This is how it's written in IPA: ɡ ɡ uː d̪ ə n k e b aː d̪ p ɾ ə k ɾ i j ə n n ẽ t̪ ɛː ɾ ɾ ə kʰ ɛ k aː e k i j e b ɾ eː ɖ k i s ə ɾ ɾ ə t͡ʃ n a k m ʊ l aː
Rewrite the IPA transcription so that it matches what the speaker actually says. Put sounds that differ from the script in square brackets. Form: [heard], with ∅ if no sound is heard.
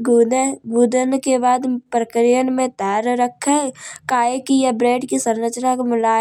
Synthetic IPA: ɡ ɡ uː d̪ ə n k e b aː d̪ p ɾ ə k ɾ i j ə n [m] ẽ t̪ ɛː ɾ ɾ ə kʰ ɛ k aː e k i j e b ɾ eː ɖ k i s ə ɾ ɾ ə t͡ʃ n a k m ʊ l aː